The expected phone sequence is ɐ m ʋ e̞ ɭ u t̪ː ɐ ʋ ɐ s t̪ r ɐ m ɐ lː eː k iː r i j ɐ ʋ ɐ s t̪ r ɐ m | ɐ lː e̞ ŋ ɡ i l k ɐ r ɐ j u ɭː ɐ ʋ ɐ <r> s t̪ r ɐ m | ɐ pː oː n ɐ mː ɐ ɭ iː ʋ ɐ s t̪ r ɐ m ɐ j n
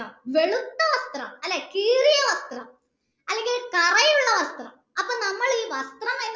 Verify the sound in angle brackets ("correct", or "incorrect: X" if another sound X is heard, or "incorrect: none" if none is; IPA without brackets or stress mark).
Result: incorrect: none